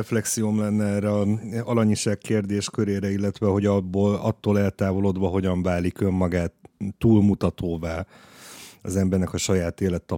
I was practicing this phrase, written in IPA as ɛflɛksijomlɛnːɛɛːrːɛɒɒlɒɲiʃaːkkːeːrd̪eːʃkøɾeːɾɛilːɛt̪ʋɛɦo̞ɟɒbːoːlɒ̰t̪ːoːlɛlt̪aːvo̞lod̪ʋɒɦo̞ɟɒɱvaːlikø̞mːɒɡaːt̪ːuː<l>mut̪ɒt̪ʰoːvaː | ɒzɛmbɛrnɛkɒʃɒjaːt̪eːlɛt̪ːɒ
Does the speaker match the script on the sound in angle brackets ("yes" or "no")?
yes